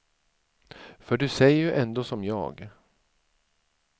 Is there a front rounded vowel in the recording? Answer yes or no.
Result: yes